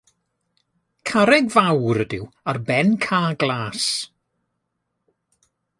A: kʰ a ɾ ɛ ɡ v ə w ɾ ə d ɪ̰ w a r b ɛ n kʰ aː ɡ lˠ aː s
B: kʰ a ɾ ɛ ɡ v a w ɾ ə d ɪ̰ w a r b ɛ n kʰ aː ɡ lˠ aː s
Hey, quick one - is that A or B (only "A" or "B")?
B